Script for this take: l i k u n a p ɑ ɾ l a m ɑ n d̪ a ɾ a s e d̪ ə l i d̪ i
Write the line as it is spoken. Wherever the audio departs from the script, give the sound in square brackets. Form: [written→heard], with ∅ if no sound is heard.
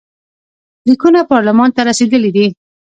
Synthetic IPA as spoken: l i k u n a p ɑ ɾ l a m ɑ n [d̪→t̪] a ɾ a s e d̪ ə l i d̪ i